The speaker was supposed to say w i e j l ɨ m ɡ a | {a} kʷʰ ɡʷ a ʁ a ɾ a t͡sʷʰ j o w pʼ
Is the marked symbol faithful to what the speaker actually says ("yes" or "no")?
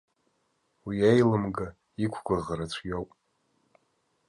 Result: no